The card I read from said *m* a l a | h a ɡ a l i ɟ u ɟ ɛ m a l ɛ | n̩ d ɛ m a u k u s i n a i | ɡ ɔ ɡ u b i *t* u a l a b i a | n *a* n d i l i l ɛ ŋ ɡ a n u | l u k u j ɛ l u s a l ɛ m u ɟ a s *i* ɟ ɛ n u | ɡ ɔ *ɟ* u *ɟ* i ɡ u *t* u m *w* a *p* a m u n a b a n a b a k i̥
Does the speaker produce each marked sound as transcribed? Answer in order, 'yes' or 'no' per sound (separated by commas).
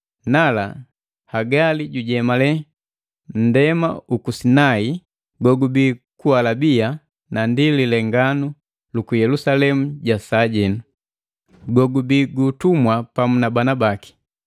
no, no, yes, no, no, no, yes, yes, yes